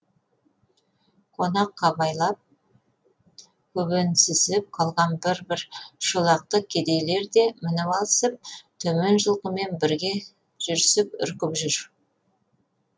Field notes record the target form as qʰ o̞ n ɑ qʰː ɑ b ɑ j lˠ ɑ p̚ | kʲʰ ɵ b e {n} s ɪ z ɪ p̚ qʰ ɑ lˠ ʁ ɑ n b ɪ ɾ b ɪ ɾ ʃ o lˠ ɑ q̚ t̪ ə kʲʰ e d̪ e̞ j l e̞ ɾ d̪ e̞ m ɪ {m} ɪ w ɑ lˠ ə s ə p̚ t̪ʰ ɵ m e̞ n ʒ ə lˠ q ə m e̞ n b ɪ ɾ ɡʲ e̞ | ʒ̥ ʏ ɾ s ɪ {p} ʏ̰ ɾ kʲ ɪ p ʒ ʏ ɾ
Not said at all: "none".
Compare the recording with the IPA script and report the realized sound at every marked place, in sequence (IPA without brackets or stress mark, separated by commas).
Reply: n, n, p